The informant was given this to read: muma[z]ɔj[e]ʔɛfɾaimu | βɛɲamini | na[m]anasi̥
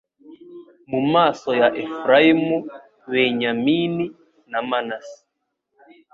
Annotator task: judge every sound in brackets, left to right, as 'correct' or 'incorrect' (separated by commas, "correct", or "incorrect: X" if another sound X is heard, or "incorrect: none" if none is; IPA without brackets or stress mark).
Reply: incorrect: s, incorrect: a, correct